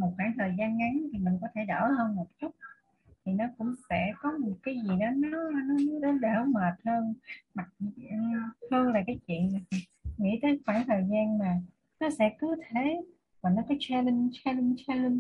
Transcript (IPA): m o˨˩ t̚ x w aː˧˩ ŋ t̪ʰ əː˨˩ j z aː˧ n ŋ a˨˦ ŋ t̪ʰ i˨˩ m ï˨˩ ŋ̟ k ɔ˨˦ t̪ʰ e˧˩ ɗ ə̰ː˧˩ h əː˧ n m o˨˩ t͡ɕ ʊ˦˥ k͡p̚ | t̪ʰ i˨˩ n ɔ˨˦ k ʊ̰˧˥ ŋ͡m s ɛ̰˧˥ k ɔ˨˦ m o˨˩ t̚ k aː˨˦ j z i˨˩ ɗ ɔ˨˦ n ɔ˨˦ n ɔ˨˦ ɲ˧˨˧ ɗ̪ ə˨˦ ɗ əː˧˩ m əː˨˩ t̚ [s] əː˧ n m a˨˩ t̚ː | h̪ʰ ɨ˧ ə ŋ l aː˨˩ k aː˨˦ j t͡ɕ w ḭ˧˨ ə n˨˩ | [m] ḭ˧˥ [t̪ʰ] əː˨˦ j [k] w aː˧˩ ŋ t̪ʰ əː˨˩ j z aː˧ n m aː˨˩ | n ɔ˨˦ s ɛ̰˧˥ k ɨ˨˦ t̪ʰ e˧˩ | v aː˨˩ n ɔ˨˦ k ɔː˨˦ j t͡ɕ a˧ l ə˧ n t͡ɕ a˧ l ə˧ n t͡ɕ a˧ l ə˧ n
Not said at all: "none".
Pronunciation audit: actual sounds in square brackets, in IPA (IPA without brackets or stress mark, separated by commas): h, ŋ, t̪, x